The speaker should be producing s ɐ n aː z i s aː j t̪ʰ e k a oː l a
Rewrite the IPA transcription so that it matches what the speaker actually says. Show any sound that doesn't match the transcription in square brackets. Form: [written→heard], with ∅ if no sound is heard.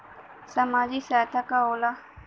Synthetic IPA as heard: s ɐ [n→m] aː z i s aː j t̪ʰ [e→a] k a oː l a